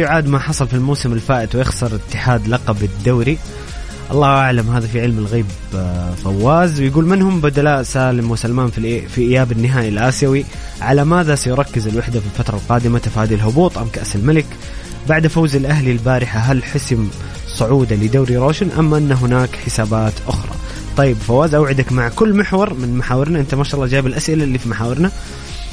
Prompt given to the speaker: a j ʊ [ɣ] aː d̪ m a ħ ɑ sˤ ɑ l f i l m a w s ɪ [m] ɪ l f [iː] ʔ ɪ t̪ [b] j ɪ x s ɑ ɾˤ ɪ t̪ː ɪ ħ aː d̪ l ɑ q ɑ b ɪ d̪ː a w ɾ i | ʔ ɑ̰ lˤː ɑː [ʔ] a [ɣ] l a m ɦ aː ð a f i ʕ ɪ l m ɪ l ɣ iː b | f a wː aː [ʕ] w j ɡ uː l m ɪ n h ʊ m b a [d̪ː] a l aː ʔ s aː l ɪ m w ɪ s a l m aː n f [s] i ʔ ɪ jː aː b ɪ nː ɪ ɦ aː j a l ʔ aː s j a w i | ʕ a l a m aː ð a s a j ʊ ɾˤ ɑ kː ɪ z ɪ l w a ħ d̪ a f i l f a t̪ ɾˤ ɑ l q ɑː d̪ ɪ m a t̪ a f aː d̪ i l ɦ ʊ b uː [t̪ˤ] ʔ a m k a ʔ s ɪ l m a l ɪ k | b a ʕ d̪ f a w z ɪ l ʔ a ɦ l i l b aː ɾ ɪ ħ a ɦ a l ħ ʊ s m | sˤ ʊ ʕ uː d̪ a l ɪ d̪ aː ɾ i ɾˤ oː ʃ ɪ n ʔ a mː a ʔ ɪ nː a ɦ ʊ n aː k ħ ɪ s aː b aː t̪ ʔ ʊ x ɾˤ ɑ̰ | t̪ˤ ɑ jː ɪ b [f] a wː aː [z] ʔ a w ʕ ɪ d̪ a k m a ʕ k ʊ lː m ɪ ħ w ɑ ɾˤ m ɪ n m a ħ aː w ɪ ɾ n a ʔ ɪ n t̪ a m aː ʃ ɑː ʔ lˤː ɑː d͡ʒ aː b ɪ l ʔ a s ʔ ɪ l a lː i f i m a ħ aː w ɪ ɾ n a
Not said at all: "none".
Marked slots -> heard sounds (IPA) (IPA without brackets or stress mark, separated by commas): ʕ, m, aː, w, ʔ, ʕ, z, d̪, f, t̪ˤ, f, z